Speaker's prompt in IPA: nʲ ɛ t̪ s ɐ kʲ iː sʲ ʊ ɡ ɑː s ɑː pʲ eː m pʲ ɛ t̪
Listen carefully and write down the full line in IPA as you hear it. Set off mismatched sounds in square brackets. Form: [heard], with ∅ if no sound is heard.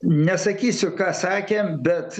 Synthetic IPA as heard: nʲ ɛ [∅] s ɐ kʲ iː sʲ ʊ [k] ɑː s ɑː [kʲ] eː m [bʲ] ɛ t̪